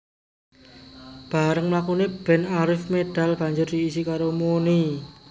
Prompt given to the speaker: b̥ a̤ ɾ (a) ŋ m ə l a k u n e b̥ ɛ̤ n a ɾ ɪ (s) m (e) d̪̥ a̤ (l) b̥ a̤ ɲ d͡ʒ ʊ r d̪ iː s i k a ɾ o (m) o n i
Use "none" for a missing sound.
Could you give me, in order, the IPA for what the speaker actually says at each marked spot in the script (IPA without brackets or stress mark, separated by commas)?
ə, f, e, l, m